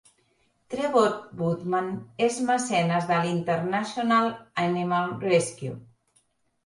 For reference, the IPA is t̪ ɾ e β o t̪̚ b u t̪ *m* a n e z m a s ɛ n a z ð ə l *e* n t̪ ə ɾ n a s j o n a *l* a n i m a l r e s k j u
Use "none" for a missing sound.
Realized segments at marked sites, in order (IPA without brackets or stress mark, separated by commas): m, i, l